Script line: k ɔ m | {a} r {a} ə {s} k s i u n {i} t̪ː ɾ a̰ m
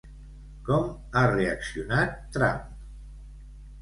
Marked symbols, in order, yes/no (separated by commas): yes, no, no, no